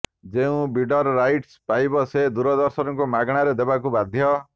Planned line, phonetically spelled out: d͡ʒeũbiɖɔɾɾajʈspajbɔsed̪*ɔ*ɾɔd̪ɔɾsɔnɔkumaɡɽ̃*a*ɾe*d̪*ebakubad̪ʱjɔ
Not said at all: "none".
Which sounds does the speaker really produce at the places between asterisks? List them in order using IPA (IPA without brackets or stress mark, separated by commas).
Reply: u, a, d̪